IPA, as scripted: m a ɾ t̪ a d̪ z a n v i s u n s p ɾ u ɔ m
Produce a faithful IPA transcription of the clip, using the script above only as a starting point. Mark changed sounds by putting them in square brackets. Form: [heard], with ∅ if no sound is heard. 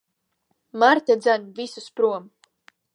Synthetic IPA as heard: m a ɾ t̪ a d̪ z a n v i s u [∅] s p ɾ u ɔ m